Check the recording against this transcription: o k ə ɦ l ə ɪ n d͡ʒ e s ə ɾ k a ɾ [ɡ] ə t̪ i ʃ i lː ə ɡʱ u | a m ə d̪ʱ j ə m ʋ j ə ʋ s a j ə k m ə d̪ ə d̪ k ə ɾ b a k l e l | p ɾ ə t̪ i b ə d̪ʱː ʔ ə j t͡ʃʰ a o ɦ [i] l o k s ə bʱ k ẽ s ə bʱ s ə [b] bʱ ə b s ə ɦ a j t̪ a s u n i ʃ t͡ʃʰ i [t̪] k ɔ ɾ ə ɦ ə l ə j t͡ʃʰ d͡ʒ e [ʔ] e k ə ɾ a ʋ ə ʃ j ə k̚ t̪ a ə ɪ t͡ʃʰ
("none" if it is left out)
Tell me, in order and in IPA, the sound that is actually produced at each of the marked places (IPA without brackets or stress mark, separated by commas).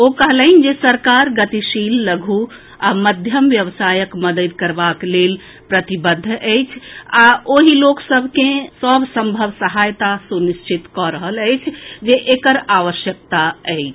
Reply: ɡ, i, m, t̪, ʔ